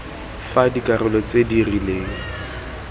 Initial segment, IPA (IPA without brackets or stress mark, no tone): f